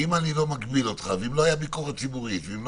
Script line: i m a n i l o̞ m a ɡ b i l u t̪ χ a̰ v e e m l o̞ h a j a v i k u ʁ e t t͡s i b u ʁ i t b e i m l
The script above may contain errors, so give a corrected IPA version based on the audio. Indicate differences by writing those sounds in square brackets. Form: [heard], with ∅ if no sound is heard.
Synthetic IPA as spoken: i m a n i l o̞ m a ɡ b i l [o] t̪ χ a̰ v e [i] m l o̞ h a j a [b] i k [o] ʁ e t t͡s i b u ʁ i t [v] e i m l